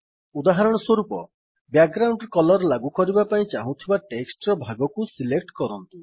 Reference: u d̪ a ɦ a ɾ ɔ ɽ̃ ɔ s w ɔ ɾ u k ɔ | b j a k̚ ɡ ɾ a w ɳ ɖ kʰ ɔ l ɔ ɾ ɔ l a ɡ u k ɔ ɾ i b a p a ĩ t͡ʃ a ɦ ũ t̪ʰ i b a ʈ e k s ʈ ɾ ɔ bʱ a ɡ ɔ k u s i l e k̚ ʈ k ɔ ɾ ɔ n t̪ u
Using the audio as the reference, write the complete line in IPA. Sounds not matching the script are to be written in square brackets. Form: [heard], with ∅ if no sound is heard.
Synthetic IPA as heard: u d̪ a ɦ a ɾ ɔ ɽ̃ ɔ s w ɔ ɾ u [p] ɔ | b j a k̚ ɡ ɾ a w ɳ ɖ [k] ɔ l ɔ ɾ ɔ l a ɡ u k ɔ ɾ i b a p a ĩ t͡ʃ a ɦ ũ t̪ʰ i b a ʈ e k s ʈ ɾ ɔ bʱ a ɡ ɔ k u s i l e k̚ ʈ k ɔ ɾ ɔ n t̪ u